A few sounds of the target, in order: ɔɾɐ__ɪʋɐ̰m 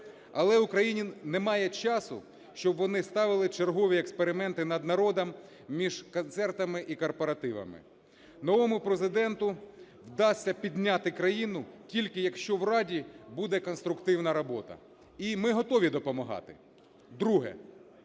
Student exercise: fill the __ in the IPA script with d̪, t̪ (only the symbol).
t̪